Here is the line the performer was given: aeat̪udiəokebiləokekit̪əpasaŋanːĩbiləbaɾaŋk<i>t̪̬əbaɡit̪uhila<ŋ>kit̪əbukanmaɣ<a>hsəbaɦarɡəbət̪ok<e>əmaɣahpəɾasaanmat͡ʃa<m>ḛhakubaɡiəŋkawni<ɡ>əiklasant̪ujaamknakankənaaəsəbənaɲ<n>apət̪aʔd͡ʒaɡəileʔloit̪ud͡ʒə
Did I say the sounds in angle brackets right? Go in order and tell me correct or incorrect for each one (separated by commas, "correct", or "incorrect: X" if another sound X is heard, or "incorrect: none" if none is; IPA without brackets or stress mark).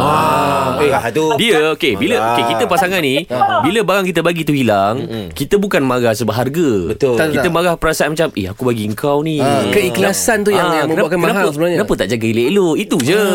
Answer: correct, correct, correct, incorrect: i, correct, incorrect: k, correct